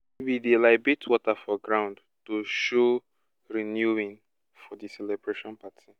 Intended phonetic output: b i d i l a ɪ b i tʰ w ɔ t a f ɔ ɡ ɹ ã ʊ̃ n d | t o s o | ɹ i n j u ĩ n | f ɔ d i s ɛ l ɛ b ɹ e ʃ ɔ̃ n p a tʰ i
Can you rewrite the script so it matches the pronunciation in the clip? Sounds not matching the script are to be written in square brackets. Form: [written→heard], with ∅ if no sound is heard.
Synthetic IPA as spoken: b i d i l a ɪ b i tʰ w ɔ t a f ɔ ɡ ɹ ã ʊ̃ n d | t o [s→ʃ] o | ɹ i n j u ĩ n | f ɔ d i s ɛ l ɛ b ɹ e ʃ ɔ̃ n p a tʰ i

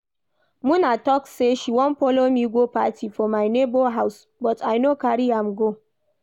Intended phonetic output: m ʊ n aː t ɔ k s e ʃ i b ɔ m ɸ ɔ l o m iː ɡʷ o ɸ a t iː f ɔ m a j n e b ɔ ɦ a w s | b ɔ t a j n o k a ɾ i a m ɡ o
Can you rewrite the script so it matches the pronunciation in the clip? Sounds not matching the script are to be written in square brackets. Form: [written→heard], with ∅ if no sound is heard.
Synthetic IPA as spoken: m ʊ n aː t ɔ k s e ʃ i [b→w] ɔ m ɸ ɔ l o m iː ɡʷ o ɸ a t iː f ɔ m a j n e b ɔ ɦ a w s | b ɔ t a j n o k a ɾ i a m ɡ o

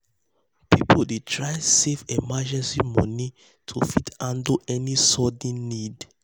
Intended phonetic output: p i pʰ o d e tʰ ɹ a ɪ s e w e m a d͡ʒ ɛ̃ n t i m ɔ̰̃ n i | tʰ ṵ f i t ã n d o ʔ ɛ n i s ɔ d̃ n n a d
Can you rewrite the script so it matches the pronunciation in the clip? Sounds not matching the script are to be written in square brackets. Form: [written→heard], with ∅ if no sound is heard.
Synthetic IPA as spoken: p i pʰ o d e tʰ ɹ a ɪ s e [w→v] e m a d͡ʒ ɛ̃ n [t→s] i m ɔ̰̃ n i | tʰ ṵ f i t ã n d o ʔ ɛ n i s ɔ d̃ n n [a→i] d

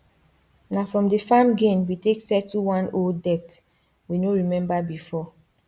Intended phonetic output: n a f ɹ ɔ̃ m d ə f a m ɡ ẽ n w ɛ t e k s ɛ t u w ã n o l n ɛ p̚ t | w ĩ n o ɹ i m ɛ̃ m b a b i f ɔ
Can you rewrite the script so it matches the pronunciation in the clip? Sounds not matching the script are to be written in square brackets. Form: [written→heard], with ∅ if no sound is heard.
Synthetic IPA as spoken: n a f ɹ ɔ̃ m d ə f a m ɡ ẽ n w [ɛ→i] t e k s ɛ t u w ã n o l [n→d] ɛ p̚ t | w [ĩ→i] n o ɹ i m ɛ̃ m b a b i f ɔ

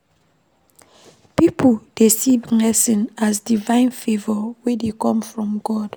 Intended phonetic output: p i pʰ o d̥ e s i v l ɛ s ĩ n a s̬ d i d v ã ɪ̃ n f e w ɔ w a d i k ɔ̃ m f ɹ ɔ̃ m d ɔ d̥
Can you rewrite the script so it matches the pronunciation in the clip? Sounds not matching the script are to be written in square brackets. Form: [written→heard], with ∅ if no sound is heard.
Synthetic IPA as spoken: p i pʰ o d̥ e s i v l ɛ s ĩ n a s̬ d i [d→∅] v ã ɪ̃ n f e [w→v] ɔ w [a→e] d [i→e] k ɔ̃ m f ɹ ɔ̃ m [d→ɡ] ɔ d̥

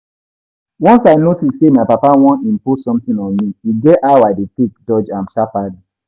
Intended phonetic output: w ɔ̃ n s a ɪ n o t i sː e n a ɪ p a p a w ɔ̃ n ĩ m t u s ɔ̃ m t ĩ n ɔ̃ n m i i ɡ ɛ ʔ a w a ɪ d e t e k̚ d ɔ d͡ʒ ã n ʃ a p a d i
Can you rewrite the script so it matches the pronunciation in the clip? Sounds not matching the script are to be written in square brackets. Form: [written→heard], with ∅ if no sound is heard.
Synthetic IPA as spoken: w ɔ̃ n s a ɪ n o t i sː e [n→m] a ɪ p a p a w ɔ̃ n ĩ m [t→p] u s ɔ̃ m t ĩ n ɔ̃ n m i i ɡ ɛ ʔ a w a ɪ d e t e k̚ d ɔ d͡ʒ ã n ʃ a p a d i

